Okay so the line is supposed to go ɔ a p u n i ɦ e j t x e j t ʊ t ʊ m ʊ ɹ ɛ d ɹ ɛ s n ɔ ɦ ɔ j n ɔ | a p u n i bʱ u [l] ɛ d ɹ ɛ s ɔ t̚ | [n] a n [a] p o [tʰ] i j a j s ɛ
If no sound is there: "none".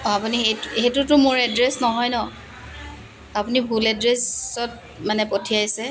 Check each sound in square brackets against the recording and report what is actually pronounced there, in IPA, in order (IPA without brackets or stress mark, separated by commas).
l, m, ɛ, tʰ